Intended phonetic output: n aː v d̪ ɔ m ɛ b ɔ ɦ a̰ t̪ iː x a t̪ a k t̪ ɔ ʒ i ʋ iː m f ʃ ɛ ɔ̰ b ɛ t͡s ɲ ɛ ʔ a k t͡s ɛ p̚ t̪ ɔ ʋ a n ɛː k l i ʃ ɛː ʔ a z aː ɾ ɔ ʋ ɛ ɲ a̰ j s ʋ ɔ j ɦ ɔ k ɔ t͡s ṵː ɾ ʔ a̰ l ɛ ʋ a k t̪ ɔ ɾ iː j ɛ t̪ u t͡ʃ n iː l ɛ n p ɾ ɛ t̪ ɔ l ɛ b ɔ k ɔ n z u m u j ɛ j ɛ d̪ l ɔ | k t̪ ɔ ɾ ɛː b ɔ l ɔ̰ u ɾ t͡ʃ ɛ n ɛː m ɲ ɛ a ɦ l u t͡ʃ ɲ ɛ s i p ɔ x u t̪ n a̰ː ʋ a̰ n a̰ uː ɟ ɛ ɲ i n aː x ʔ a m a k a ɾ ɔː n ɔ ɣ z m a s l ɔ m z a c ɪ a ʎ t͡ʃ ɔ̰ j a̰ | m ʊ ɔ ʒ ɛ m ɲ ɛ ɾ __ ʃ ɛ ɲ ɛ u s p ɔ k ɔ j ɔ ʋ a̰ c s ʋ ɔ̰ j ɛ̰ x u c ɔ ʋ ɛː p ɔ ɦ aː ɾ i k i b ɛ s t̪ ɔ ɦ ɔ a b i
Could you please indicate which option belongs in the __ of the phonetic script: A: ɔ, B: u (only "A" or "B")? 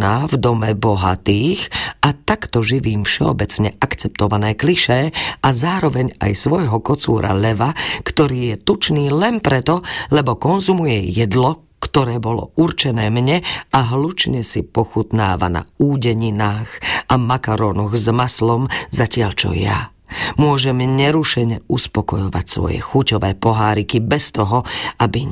B